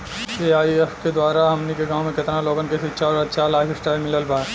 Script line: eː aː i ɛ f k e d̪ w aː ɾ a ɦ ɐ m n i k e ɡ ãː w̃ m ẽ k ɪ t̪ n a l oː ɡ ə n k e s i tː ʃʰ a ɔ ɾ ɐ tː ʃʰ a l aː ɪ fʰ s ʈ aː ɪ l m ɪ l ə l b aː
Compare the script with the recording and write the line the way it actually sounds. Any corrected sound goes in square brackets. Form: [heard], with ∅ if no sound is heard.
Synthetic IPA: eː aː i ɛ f k e d̪ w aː ɾ a ɦ ɐ m n i k e ɡ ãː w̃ m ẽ k ɪ t̪ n a l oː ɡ ə n k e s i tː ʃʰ a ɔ ɾ ɐ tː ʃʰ a l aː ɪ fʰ s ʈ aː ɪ l m ɪ l ə l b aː